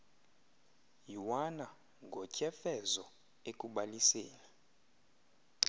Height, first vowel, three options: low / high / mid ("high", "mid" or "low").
high